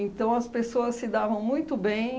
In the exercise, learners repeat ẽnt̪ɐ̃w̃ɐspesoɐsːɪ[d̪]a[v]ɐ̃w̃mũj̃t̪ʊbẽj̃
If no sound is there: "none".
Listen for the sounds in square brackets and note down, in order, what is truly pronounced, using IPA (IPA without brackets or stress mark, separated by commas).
d̪, v